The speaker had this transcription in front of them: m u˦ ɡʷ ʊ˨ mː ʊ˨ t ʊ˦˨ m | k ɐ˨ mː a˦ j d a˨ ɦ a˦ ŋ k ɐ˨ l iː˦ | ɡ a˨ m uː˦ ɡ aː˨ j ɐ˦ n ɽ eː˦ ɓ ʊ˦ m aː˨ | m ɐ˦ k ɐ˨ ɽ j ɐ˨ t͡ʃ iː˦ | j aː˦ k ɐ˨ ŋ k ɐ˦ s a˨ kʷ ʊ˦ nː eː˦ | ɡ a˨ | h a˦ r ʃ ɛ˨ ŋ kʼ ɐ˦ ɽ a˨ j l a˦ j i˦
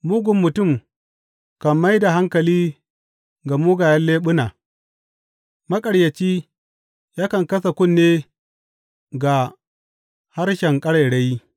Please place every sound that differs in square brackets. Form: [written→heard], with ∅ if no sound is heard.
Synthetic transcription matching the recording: m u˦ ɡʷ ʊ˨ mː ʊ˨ t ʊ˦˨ m | k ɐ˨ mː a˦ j d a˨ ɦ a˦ ŋ k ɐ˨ l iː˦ | ɡ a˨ m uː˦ ɡ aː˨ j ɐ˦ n [ɽ→l] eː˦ ɓ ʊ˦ [m→n] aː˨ | m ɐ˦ [k→kʼ] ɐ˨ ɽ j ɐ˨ t͡ʃ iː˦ | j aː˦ k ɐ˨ ŋ k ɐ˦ s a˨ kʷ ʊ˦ nː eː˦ | ɡ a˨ | h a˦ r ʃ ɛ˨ ŋ kʼ ɐ˦ ɽ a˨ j [l→ɽ] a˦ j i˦